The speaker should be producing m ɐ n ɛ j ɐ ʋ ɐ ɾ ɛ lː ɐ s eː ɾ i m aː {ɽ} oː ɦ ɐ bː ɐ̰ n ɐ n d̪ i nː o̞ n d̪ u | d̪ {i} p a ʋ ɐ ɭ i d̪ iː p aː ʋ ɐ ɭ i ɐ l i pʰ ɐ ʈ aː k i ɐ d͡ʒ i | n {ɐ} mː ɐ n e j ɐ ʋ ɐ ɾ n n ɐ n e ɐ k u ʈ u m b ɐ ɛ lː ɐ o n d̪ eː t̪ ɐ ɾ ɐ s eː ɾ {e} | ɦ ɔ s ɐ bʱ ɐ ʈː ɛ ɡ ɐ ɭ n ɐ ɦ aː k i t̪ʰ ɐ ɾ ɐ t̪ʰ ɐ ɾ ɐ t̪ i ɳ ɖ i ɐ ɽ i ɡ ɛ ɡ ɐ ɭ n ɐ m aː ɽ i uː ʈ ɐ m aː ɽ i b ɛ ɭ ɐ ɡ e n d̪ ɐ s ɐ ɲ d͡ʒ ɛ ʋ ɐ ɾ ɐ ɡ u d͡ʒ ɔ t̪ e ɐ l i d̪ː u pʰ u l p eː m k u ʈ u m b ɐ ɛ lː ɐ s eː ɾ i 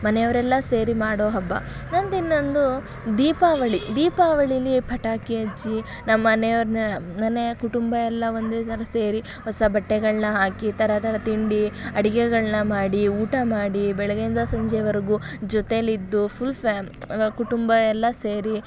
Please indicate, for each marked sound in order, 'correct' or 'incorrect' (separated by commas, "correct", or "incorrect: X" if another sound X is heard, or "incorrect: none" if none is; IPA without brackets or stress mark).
correct, incorrect: iː, correct, incorrect: i